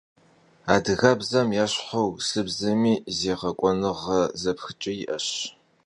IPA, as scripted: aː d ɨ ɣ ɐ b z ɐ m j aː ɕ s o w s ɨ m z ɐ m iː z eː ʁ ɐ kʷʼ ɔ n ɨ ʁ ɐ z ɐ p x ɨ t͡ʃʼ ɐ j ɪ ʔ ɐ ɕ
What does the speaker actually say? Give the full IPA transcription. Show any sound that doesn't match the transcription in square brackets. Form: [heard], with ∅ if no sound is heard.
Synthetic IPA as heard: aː d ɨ ɣ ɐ b z ɐ m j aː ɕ [ħ] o w s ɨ [b] z ɐ m iː z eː ʁ ɐ kʷʼ ɔ n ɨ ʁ ɐ z ɐ p x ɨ t͡ʃʼ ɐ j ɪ ʔ ɐ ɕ